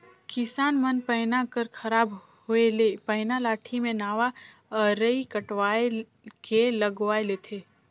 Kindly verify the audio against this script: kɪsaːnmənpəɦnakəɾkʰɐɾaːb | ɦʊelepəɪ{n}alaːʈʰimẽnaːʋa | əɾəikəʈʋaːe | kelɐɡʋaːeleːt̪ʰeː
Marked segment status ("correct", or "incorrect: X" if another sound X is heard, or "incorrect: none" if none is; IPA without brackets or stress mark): correct